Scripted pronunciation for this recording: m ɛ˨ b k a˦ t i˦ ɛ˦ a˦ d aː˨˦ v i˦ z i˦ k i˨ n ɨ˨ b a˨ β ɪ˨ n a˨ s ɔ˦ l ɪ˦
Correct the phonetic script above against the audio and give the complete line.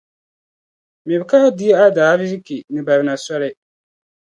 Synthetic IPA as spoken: m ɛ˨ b k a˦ d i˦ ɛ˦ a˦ d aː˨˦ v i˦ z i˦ k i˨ n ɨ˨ b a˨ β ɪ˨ n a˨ s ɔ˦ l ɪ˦